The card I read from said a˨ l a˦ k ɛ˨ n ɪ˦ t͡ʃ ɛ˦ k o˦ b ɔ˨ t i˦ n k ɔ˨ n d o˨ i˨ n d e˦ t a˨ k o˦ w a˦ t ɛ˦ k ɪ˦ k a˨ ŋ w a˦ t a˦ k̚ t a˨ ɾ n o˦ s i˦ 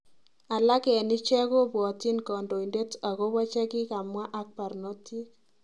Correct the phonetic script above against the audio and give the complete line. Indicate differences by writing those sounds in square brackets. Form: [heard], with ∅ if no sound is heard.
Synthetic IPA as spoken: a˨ l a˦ k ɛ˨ n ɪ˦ t͡ʃ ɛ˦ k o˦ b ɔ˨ t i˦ n k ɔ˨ n d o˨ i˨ n d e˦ t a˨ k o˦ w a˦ [t͡ʃ] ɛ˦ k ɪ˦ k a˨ [m] w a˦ [ʔ] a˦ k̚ [p] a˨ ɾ n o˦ [t] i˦